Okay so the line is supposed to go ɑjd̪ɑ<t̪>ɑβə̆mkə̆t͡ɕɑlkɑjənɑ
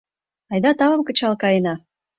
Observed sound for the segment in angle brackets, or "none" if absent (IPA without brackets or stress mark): t̪